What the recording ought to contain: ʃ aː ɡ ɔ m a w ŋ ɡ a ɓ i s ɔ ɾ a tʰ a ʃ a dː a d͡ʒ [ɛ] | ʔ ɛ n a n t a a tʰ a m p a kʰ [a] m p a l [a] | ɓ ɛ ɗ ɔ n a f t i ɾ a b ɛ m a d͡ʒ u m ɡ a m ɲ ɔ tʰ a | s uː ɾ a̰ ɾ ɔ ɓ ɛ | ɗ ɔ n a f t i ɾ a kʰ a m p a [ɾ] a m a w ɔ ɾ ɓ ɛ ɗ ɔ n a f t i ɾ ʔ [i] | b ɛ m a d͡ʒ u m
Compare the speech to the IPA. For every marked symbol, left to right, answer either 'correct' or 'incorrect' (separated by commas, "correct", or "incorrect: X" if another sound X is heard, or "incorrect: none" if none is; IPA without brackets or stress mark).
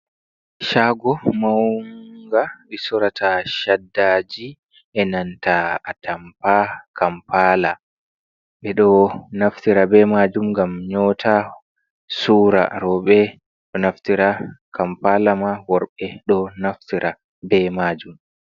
incorrect: i, correct, correct, incorrect: l, incorrect: a